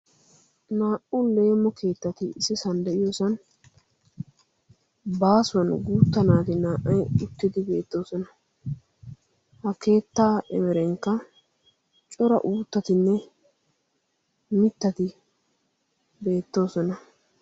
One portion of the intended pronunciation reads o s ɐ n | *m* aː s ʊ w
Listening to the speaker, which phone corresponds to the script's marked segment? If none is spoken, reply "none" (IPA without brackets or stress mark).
b